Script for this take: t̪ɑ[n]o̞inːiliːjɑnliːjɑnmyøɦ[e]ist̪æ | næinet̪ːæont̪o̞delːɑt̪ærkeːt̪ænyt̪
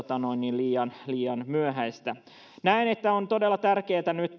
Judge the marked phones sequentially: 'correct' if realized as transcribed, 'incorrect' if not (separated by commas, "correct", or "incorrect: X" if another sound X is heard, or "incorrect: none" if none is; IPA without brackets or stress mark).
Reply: correct, incorrect: æ